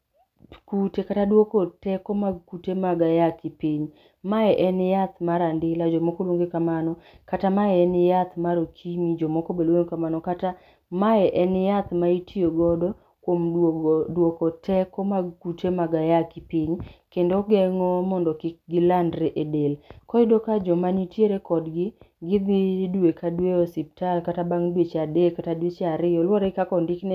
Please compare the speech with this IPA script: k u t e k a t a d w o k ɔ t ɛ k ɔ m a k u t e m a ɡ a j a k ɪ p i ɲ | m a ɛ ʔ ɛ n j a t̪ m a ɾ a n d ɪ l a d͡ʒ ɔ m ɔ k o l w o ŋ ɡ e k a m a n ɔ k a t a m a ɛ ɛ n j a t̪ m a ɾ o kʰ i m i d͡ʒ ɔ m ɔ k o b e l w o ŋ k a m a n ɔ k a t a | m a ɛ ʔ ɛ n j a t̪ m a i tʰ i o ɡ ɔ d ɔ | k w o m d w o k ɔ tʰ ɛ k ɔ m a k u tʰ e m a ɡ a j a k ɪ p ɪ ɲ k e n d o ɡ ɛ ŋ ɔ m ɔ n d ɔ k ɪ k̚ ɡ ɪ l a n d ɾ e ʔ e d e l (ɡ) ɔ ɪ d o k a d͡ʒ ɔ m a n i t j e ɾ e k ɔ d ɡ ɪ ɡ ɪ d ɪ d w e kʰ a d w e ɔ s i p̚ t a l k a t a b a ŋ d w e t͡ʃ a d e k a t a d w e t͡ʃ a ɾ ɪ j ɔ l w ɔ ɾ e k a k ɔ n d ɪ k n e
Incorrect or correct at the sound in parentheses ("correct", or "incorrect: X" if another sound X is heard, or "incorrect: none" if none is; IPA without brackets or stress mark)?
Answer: incorrect: k